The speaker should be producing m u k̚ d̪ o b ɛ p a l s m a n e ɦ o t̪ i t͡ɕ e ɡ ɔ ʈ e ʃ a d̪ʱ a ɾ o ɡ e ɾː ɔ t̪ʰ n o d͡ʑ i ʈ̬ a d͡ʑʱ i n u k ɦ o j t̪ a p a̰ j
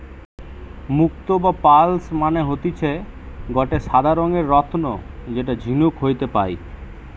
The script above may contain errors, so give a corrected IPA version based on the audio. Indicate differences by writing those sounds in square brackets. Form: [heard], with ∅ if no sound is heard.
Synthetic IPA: m u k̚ [t̪] o b [a] p a l s m a n e ɦ o t̪ i [t͡ɕʰ] e ɡ ɔ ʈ e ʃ a d̪ʱ a ɾ o [ŋ] e ɾː ɔ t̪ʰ n o d͡ʑ [e] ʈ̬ a d͡ʑʱ i n u k ɦ o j t̪ [e] p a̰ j